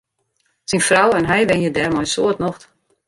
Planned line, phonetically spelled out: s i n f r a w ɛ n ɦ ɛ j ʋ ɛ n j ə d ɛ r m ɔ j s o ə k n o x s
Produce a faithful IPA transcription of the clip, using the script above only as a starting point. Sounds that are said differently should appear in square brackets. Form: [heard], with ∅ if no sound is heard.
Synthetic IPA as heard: s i n f r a w ɛ n ɦ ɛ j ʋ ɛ n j ə d ɛ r m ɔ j s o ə [t] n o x [t]

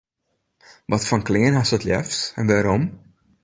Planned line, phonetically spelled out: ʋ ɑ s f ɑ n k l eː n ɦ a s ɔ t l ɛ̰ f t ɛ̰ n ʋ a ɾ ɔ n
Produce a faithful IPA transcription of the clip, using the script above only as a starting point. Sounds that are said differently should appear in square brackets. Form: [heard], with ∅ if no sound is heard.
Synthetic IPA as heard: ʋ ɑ [t] f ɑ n k l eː n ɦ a s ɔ t l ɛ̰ f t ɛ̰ n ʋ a ɾ ɔ [m]

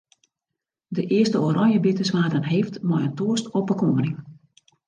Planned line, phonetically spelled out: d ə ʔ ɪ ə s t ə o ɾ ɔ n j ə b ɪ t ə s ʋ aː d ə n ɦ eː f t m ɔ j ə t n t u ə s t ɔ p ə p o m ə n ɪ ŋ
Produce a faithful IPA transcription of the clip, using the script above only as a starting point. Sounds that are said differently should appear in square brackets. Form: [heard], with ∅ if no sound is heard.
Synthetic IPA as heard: d ə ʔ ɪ ə s t ə o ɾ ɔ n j ə b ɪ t ə s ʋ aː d ə n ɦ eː f t m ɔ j ə [∅] n t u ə s t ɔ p ə [k] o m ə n ɪ ŋ

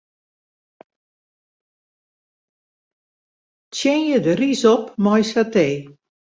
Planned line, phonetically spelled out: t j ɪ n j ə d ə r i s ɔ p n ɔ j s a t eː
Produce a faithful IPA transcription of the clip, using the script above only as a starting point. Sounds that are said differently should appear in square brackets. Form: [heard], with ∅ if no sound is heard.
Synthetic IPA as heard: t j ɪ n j ə d ə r i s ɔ p [m] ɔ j s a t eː

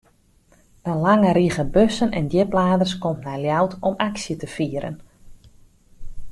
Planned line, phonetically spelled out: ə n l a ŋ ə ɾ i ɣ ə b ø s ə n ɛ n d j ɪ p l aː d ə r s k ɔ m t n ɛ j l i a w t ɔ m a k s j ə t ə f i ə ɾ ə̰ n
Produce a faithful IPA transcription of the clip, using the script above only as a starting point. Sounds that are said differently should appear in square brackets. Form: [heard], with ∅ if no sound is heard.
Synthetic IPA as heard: ə n l a ŋ ə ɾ i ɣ ə b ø s ə n ɛ n d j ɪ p l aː d ə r s k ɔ m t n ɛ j l [j] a w t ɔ m a k s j ə t ə f i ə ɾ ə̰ n

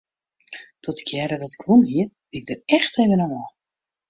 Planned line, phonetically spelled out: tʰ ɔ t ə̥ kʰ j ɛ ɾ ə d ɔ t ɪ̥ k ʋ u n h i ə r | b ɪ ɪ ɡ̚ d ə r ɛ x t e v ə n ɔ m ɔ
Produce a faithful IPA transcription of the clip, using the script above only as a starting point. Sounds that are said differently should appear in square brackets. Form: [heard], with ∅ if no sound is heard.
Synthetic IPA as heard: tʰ ɔ t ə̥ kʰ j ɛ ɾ ə d ɔ t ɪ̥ k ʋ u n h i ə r | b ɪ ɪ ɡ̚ d ə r ɛ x t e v ə n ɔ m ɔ

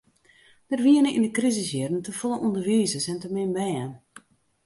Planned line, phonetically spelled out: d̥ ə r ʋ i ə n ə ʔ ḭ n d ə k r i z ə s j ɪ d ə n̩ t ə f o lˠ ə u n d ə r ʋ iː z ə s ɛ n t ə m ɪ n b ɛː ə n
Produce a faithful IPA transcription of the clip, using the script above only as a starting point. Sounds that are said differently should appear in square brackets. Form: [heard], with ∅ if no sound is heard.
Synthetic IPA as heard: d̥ ə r ʋ i ə n ə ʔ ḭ n d ə k r i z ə s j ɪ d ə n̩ t ə f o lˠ ə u n d ə r ʋ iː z ə s ɛ n t ə m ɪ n b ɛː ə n

